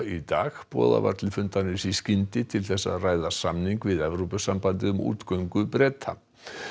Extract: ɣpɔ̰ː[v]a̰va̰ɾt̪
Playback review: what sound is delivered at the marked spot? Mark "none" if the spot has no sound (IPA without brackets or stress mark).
ð